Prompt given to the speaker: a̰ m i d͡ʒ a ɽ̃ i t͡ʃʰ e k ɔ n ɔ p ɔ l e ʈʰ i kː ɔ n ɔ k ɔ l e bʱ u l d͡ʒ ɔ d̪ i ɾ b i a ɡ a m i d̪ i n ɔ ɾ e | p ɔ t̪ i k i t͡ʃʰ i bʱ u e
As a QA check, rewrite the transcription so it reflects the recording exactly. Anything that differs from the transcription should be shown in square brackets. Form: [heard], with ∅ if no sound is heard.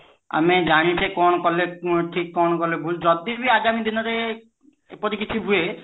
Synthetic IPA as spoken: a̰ m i d͡ʒ a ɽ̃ i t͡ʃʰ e k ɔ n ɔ [k] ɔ l e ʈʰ i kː ɔ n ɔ k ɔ l e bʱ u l d͡ʒ ɔ d̪ i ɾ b i a ɡ a m i d̪ i n ɔ ɾ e | p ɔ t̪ i k i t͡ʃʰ i bʱ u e